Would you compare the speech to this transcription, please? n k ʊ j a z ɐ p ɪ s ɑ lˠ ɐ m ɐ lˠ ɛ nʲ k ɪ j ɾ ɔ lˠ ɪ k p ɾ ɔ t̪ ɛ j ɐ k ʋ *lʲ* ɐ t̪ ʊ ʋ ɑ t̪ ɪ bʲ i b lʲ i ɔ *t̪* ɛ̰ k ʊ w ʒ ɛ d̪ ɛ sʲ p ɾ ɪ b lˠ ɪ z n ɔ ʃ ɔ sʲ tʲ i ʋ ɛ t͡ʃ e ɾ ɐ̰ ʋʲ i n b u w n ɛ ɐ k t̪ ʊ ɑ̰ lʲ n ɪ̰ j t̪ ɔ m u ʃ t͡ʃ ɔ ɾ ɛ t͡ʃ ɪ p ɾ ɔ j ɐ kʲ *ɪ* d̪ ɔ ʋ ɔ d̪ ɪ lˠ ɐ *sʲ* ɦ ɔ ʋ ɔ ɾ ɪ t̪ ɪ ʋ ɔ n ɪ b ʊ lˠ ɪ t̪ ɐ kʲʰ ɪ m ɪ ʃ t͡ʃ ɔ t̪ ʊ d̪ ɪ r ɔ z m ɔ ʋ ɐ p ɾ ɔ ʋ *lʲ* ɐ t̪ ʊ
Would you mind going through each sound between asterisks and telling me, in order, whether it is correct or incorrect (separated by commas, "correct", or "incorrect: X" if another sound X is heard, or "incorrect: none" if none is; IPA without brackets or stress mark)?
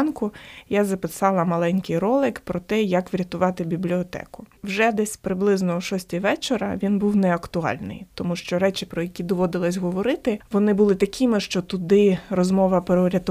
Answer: incorrect: ɾʲ, correct, incorrect: i, correct, incorrect: ɾʲ